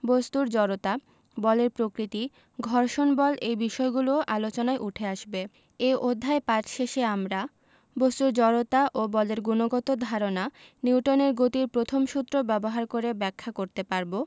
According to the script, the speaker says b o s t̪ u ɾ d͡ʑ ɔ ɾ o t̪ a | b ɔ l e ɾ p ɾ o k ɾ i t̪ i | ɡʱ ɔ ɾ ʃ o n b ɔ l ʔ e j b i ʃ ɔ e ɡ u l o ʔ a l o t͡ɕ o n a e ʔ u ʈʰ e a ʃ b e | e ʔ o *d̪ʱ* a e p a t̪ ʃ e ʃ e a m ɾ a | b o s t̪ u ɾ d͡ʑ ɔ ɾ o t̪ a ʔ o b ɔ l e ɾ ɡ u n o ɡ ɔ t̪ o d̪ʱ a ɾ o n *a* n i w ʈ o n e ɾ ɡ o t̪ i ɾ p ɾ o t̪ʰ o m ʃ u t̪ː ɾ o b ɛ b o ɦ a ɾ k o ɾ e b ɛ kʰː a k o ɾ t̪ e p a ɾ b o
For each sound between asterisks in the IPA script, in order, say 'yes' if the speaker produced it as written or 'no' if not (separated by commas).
no, yes